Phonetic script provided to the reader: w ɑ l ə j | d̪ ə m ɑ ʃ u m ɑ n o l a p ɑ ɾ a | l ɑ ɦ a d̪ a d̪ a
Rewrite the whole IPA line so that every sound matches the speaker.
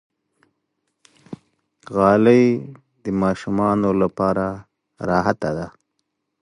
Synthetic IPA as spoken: ɣ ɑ l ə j | d̪ ə m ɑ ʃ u m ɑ n o l a p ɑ ɾ a | ɾ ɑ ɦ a t̪ a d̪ a

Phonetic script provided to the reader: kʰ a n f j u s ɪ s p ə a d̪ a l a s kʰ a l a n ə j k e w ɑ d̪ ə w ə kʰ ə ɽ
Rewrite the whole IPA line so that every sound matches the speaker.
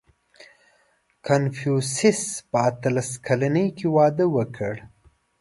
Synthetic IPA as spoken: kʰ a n f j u s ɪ s p ə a t̪ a l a s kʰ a l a n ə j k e w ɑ d̪ ə w ə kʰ ə ɽ

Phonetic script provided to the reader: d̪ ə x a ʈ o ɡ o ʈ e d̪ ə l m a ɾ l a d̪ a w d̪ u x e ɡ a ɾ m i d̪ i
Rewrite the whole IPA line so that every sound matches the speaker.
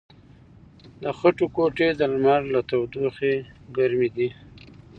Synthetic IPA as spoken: d̪ ə x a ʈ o k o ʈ e d̪ ə l m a ɾ l a t̪ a w d̪ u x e ɡ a ɾ m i d̪ i

